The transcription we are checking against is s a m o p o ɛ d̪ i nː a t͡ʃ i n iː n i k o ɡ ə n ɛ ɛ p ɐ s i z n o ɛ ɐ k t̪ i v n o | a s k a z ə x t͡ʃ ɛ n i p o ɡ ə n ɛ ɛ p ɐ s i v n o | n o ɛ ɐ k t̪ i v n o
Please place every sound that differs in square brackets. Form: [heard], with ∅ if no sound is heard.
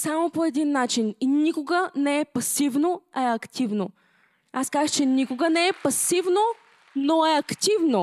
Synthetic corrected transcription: s a m o p o ɛ d̪ i nː a t͡ʃ i n [i] n i k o ɡ ə n ɛ ɛ p ɐ s i [v] n o ɛ ɐ k t̪ i v n o | a s k a z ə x t͡ʃ ɛ n i [k] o ɡ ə n ɛ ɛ p ɐ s i v n o | n o ɛ ɐ k t̪ i v n o